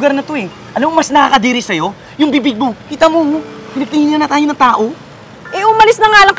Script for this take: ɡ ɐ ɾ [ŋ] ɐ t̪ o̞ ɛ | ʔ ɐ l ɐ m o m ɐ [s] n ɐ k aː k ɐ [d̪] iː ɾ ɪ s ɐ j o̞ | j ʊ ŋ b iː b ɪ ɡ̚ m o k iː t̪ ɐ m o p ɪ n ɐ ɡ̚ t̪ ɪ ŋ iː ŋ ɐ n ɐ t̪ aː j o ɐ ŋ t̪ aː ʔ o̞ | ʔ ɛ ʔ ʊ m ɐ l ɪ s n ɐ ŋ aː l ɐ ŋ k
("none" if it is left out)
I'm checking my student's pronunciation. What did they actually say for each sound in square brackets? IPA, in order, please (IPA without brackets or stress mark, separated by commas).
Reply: n, s, d̪